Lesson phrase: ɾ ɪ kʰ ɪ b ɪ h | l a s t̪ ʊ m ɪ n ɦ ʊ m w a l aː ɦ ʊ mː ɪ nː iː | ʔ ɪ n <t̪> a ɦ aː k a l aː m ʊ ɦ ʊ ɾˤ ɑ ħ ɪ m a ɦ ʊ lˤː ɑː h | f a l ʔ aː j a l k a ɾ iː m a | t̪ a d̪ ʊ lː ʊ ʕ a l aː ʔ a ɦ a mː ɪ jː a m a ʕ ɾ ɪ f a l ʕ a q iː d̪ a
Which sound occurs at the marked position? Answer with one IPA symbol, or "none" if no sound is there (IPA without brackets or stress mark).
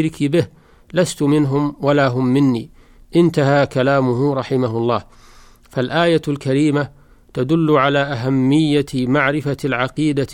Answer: t̪